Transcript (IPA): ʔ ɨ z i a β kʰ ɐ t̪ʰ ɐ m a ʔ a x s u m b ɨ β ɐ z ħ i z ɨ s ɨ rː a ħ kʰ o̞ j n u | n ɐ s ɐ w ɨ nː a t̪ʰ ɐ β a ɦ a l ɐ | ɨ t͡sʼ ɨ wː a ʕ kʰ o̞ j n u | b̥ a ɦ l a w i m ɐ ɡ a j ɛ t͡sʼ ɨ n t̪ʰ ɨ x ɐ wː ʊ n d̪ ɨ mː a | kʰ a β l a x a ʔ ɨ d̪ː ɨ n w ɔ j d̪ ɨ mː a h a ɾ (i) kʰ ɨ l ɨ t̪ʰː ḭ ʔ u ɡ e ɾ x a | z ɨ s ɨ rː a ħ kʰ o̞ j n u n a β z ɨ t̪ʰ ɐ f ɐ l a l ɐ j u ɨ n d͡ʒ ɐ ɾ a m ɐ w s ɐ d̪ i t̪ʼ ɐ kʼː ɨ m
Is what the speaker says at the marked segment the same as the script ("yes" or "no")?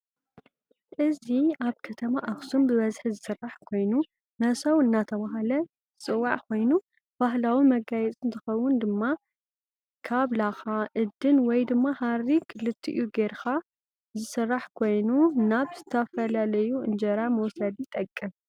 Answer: yes